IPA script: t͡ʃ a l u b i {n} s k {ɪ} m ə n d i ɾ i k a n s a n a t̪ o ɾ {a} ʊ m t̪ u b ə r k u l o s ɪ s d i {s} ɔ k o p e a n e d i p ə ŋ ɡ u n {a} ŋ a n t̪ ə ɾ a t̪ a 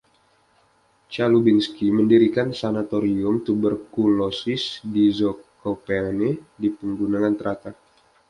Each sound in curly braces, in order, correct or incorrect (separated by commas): correct, incorrect, incorrect, incorrect, correct